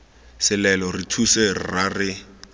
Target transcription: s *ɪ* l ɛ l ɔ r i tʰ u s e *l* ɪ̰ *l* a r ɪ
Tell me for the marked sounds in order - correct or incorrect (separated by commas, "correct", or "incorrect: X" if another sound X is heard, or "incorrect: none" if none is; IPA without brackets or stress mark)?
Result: correct, incorrect: r, incorrect: r